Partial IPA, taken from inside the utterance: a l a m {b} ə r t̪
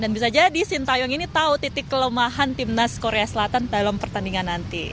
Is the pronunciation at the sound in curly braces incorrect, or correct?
incorrect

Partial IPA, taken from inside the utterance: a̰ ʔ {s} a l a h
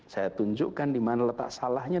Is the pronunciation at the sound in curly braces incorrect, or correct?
correct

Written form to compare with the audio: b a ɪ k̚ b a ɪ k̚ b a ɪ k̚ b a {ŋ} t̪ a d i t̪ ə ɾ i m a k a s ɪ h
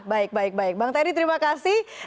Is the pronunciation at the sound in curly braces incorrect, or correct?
correct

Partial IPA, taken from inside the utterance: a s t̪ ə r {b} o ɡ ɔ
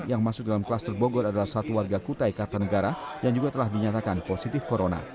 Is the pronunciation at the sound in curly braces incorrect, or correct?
correct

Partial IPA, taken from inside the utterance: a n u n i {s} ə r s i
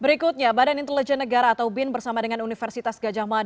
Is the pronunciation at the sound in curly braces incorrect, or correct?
incorrect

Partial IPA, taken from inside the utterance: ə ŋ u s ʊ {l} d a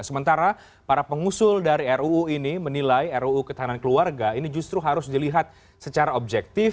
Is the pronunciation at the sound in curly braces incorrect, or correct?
correct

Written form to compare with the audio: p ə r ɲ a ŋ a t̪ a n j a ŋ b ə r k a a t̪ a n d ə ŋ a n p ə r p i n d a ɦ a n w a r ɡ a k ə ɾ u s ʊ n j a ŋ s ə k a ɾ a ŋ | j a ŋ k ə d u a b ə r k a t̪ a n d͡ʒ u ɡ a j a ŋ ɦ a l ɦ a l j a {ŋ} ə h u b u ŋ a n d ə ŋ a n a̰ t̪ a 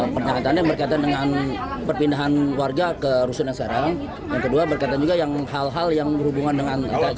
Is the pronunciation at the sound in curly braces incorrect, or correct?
correct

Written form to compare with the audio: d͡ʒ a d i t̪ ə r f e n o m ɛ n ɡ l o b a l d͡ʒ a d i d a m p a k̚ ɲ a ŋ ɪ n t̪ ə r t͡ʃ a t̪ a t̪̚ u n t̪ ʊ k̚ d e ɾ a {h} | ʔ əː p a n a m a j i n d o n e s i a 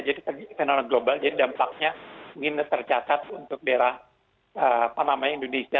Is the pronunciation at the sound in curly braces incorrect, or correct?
correct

